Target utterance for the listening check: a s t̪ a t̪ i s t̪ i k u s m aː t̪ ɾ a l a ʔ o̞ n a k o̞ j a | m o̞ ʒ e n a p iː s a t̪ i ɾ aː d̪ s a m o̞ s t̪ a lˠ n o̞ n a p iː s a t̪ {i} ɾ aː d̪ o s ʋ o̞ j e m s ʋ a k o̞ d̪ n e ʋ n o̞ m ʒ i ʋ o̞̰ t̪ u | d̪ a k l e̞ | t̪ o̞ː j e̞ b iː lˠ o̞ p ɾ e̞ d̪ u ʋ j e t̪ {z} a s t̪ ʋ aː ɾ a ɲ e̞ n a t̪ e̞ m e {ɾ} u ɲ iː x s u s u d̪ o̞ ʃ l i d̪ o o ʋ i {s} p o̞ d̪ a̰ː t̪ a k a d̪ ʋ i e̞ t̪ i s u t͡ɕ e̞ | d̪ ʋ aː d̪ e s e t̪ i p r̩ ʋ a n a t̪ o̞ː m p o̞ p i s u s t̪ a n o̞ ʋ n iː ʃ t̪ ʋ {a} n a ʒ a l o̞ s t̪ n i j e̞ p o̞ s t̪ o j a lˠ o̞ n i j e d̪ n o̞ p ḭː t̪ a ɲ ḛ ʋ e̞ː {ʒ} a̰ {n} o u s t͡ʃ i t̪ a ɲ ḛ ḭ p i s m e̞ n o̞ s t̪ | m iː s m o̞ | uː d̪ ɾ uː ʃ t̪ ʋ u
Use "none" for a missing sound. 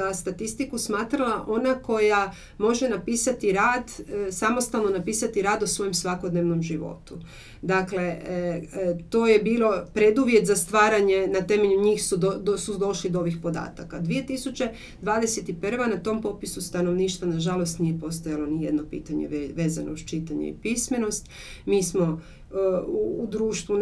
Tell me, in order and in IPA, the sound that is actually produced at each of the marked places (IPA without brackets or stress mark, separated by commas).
i, z, ʎ, x, a, z, n